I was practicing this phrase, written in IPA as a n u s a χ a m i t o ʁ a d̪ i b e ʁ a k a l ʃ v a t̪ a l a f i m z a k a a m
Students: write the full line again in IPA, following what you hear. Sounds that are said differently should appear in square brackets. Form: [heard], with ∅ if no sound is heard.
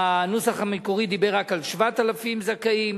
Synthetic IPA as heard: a n u s a χ a m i [k] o ʁ [i] d̪ i b e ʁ a k a l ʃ v a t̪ a l a f i m z a k a [i] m